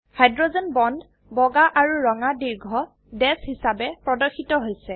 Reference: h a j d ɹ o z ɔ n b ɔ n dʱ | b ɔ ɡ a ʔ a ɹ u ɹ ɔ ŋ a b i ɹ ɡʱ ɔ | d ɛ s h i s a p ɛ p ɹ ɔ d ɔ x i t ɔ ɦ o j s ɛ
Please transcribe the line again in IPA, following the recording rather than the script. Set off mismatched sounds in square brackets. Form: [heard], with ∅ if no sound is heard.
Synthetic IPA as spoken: h a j d ɹ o z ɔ n b ɔ n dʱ | b ɔ ɡ a ʔ a ɹ u ɹ ɔ ŋ a [d] i ɹ ɡʱ ɔ | d ɛ s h i s a [b] ɛ p ɹ ɔ d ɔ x i t ɔ ɦ o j s ɛ